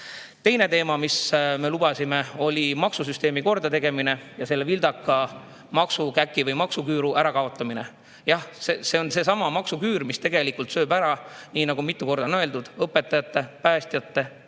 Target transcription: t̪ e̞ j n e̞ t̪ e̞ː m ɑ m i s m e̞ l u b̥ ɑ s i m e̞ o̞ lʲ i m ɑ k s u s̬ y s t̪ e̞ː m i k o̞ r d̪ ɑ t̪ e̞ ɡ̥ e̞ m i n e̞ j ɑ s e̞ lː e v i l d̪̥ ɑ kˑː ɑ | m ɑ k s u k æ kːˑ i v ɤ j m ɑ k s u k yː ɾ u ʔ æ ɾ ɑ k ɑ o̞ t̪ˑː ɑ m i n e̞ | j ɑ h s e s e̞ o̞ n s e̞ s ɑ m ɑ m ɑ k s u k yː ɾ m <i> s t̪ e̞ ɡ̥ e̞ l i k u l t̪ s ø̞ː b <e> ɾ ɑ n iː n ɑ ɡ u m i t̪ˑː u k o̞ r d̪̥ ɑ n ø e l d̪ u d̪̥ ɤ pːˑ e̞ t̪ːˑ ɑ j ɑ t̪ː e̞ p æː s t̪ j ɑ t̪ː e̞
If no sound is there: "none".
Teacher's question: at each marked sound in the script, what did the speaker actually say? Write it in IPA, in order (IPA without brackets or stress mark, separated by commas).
i, æ